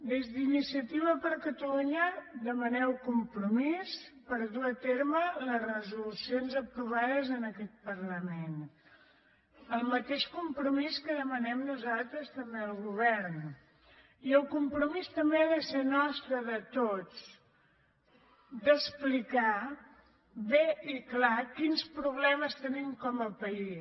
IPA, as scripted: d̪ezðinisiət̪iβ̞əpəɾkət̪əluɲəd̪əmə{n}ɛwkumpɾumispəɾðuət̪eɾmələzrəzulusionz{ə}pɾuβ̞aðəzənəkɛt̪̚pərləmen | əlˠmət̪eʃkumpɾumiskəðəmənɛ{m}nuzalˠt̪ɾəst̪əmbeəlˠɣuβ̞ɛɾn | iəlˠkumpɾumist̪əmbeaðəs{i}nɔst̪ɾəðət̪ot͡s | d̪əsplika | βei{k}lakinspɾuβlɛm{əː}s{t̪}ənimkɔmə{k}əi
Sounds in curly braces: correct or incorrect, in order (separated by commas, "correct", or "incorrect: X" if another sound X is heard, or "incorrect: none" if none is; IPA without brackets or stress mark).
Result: correct, correct, correct, incorrect: e, correct, incorrect: ə, correct, incorrect: p